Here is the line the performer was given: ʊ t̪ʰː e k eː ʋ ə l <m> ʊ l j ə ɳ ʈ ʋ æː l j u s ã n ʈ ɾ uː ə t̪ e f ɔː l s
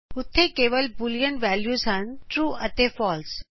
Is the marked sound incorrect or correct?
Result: incorrect